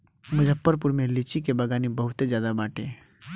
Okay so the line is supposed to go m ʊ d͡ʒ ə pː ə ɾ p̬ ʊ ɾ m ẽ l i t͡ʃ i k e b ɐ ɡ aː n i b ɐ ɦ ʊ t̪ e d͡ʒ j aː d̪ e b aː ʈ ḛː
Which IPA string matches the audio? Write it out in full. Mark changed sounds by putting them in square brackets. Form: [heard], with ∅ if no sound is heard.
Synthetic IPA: m ʊ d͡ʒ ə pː ə ɾ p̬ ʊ ɾ m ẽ l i t͡ʃ i k e b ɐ ɡ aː n i b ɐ ɦ ʊ t̪ e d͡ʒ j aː d̪ [a] b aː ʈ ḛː